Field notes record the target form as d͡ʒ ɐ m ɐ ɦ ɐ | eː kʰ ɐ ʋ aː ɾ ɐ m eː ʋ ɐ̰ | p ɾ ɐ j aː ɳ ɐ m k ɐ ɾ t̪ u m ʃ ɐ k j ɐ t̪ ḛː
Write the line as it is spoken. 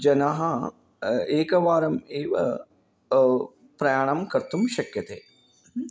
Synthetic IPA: d͡ʒ ɐ n ɐ ɦ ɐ | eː k ɐ ʋ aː ɾ ɐ m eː ʋ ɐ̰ | p ɾ ɐ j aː ɳ ɐ m k ɐ ɾ t̪ u m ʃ ɐ k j ɐ t̪ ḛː